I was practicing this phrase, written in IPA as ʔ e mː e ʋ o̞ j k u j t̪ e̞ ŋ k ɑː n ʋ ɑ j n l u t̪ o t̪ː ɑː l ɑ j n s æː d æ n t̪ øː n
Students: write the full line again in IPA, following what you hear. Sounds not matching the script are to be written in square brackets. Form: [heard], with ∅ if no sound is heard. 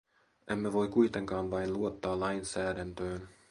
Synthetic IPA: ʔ e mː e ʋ o̞ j k u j t̪ e̞ ŋ k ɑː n ʋ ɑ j n l u [∅] o t̪ː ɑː l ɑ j n s æː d æ n t̪ øː n